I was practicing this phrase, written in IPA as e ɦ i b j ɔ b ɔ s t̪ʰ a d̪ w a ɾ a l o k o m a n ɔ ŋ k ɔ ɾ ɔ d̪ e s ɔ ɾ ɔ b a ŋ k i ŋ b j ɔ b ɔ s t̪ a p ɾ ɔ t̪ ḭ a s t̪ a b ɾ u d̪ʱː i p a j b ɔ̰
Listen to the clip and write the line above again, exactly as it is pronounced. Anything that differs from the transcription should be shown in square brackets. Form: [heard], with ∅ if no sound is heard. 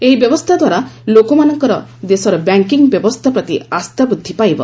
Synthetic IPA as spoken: e ɦ i b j ɔ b ɔ s t̪ʰ a d̪ w a ɾ a l o k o m a n ɔ ŋ k ɔ ɾ ɔ d̪ e s ɔ ɾ ɔ b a ŋ k i ŋ b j ɔ b ɔ s [t̪ʰ] a p ɾ ɔ t̪ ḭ a s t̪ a b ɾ u d̪ʱː i p a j b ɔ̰